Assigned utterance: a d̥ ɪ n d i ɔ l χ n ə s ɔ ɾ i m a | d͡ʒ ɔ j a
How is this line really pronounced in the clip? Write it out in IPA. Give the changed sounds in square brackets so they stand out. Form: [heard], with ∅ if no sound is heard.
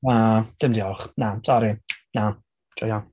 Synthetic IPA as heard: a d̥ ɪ [m] d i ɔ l χ n [a] s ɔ ɾ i [n] a | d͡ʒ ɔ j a

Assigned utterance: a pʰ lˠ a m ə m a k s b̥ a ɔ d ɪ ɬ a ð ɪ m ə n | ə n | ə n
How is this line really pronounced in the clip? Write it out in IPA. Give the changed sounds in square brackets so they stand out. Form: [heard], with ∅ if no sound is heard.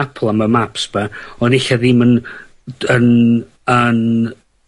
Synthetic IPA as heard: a pʰ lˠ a m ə m a [p] s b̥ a ɔ [n] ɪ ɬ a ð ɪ m ə n | ə n | ə n

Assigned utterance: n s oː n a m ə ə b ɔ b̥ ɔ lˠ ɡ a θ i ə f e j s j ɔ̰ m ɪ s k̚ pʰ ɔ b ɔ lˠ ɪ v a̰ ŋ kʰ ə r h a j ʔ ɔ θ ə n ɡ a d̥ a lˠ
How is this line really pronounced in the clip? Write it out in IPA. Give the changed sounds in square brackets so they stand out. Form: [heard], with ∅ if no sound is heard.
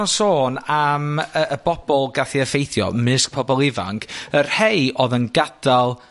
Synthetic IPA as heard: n s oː n a m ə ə b ɔ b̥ ɔ lˠ ɡ a θ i ə f e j [θ] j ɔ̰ m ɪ s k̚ pʰ ɔ b ɔ lˠ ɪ v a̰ ŋ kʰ ə r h [e] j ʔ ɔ [ð] ə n ɡ a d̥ a lˠ

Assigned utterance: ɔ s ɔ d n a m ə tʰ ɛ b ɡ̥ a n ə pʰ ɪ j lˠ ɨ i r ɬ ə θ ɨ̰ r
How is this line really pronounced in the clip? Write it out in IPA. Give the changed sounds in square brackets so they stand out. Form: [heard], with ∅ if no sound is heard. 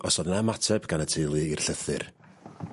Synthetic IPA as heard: ɔ s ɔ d n a m [a] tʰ ɛ b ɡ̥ a n ə [tʰ] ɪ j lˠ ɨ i r ɬ ə θ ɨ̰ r

